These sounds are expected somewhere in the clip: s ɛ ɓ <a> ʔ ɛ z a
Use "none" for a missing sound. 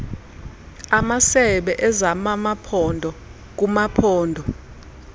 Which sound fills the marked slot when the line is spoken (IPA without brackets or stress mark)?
ɛ